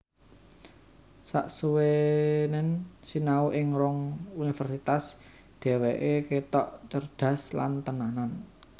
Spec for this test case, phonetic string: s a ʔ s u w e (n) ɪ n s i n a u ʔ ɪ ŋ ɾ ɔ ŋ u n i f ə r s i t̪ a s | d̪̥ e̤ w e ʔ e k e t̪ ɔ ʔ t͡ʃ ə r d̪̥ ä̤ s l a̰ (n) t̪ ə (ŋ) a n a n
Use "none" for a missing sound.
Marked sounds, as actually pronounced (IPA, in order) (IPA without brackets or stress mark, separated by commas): n, n, n